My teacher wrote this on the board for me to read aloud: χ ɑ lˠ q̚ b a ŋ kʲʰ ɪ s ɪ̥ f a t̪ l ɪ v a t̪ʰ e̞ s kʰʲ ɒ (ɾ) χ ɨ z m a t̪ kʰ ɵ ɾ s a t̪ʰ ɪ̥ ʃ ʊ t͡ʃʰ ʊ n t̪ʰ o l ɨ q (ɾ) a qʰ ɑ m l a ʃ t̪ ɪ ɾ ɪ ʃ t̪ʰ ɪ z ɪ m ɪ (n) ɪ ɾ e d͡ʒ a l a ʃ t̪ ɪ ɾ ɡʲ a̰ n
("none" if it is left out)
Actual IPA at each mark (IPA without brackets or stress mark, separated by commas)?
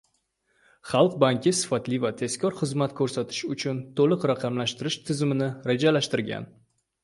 ɾ, ɾ, n